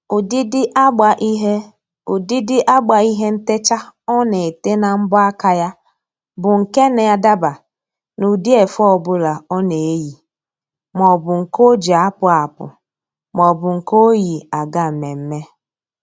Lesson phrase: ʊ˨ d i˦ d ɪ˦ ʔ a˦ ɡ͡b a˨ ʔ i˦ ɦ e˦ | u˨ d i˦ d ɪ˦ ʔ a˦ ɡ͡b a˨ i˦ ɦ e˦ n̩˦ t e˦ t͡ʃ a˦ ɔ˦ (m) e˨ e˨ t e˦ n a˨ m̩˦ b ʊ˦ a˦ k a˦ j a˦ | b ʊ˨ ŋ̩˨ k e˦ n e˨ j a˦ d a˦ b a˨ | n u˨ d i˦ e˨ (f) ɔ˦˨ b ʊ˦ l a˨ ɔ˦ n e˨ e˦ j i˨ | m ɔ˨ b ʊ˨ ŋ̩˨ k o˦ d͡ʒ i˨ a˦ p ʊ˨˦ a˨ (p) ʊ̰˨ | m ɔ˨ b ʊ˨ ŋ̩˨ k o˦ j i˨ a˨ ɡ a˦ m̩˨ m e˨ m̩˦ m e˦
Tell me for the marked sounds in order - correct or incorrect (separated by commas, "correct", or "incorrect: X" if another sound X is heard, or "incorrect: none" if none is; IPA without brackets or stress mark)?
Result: incorrect: n, correct, correct